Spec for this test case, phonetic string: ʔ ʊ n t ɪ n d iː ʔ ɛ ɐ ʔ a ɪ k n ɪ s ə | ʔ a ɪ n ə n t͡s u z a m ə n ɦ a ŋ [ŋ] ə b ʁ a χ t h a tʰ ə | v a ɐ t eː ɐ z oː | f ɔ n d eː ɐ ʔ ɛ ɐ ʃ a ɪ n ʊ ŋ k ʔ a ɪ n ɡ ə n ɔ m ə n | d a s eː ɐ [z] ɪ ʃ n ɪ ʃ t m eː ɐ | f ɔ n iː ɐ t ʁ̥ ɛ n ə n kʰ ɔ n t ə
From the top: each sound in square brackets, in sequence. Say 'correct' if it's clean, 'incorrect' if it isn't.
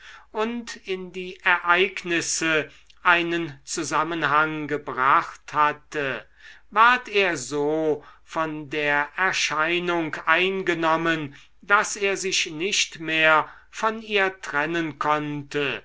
incorrect: ɡ, correct

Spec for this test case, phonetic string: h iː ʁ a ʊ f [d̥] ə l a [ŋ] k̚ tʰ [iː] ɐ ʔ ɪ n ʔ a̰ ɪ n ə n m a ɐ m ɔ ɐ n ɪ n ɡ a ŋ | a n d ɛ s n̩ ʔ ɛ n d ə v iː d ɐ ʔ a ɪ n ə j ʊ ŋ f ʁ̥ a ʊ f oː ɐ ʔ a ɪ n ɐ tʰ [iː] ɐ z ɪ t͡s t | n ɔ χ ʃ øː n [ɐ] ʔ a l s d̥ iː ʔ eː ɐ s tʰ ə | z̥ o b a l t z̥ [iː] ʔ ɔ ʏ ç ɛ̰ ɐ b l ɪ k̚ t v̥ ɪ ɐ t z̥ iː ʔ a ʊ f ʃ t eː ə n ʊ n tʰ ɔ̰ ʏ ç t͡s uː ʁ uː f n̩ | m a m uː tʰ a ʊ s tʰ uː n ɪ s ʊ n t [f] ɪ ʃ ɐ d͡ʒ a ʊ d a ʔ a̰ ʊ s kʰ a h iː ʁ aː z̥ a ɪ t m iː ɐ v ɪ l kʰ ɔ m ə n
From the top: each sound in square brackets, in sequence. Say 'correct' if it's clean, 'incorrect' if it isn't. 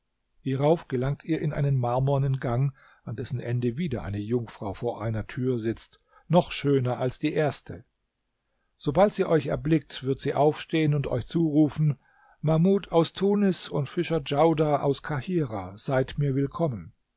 incorrect: ɡ̥, correct, correct, incorrect: yː, correct, correct, correct

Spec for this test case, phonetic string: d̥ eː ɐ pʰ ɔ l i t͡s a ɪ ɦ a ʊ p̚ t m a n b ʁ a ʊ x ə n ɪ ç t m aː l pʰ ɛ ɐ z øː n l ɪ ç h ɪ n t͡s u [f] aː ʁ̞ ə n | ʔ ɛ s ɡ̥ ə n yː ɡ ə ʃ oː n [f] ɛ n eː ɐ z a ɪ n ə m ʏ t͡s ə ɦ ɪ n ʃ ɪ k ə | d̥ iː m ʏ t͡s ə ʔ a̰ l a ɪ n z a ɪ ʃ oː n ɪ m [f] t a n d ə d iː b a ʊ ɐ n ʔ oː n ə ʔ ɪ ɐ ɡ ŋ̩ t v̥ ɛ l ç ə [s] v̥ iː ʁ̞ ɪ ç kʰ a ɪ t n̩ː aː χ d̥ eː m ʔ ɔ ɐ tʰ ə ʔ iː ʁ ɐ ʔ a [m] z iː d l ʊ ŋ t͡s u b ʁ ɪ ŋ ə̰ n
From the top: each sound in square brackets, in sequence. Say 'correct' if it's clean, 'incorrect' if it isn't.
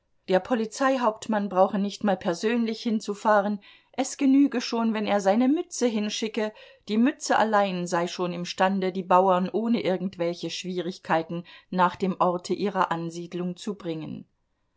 correct, incorrect: v, incorrect: ʃ, incorrect: ʃ, incorrect: n

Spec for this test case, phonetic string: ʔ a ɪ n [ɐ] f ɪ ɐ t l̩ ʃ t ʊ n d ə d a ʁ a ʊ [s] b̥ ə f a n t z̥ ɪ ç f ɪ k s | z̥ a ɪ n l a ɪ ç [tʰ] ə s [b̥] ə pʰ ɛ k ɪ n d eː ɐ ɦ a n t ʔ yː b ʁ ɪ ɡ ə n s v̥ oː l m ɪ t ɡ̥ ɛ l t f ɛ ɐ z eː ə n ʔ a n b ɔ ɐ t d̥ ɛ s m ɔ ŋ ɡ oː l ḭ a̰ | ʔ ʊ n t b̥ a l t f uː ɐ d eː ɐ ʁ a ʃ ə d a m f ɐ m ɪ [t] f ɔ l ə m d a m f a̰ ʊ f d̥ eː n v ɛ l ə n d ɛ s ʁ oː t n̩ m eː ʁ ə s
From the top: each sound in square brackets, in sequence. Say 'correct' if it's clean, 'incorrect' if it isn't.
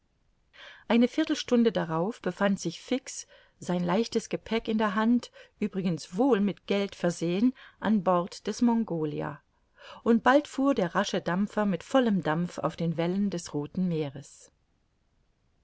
incorrect: ə, incorrect: f, incorrect: t, incorrect: ɡ̥, correct

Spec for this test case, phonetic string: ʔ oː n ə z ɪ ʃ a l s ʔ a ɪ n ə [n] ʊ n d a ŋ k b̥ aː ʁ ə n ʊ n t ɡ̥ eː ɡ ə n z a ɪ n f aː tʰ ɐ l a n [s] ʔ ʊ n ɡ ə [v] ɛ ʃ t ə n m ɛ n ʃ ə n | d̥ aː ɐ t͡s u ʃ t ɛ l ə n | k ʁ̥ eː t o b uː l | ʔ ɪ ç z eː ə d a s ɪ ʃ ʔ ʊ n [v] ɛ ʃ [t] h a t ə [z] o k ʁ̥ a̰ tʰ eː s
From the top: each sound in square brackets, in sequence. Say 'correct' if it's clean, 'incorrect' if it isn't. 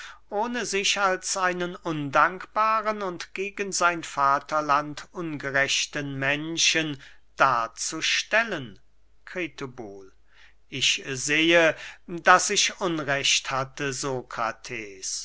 correct, incorrect: t, incorrect: ʁ, incorrect: ʁ, correct, correct

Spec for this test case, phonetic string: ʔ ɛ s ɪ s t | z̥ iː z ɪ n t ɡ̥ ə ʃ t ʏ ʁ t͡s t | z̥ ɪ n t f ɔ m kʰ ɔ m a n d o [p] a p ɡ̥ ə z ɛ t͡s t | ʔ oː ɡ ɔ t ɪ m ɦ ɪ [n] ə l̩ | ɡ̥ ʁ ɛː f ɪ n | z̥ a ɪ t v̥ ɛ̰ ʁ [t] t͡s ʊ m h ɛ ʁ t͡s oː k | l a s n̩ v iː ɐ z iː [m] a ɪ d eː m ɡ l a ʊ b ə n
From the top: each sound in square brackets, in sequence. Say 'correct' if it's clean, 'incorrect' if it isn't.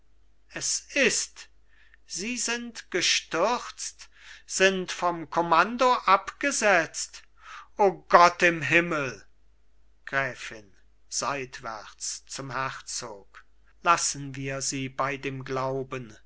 incorrect: ʔ, incorrect: m, incorrect: t͡s, incorrect: b

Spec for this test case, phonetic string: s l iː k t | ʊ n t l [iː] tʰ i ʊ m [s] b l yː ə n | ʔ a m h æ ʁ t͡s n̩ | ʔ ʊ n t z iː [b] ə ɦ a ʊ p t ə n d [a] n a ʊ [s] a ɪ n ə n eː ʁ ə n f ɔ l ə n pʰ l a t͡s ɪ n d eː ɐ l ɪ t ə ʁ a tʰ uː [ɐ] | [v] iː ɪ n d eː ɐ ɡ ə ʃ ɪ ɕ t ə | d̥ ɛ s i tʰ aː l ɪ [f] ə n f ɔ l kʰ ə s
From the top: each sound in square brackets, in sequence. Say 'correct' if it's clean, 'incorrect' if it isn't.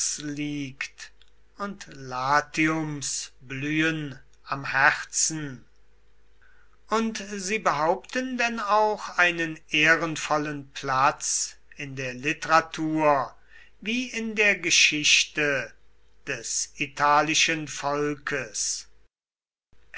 incorrect: aː, correct, correct, incorrect: ɛ, incorrect: x, correct, correct, incorrect: ʃ

